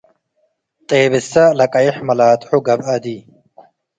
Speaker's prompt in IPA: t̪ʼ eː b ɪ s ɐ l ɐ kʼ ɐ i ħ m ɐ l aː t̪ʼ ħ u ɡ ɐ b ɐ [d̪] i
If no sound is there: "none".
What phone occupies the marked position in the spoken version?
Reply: d̪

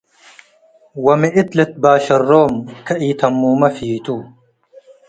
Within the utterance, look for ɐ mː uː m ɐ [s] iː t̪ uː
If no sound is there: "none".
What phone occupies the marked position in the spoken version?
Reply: f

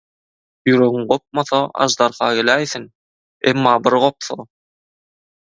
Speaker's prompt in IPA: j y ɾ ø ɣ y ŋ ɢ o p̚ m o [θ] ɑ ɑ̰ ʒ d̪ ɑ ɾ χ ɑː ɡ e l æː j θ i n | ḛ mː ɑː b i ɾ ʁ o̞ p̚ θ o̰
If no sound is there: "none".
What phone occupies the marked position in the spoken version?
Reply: θ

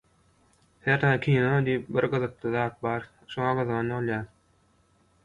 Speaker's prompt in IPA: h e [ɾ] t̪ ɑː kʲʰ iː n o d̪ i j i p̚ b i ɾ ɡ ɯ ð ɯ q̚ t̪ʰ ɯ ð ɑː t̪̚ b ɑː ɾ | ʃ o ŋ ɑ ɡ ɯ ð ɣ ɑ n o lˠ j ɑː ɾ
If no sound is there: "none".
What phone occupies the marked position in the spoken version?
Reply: ɾ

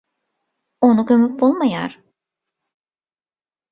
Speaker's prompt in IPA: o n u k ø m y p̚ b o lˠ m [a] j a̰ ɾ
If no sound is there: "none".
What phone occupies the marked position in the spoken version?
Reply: a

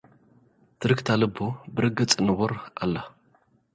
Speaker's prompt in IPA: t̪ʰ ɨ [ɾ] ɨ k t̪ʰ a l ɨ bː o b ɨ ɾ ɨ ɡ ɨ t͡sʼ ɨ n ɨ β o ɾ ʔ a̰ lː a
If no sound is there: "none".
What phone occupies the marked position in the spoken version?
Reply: ɾ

